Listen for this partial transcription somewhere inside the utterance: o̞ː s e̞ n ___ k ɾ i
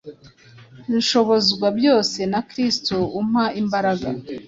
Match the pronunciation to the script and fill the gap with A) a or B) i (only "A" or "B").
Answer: A